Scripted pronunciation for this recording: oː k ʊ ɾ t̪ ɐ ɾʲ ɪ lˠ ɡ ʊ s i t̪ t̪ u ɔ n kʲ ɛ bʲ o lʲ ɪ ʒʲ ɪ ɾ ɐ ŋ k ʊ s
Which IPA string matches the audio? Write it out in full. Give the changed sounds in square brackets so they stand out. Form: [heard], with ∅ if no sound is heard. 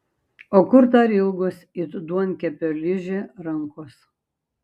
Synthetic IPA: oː k ʊ ɾ t̪ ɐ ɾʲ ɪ lˠ ɡ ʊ s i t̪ [d̪] u ɔ n kʲ ɛ [pʲ] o lʲ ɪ ʒʲ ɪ ɾ ɐ ŋ k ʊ s